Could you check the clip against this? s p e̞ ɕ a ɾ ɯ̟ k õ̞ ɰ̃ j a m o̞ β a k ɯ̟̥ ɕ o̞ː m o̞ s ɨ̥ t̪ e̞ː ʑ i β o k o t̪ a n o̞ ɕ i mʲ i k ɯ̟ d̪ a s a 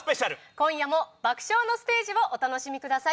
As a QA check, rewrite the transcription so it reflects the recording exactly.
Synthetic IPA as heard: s p e̞ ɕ a ɾ ɯ̟ k õ̞ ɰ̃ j a m o̞ b a k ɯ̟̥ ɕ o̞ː n o̞ s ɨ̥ t̪ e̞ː ʑ i β o ʔ o t̪ a n o̞ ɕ i mʲ i k ɯ̟ d̪ a s a